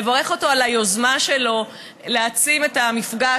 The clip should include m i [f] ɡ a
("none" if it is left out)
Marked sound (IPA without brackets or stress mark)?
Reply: f